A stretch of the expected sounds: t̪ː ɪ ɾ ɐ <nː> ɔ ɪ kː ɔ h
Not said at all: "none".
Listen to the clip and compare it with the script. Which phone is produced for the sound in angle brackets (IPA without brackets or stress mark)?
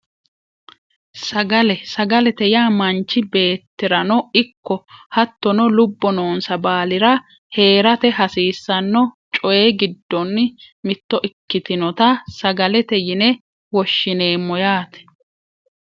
n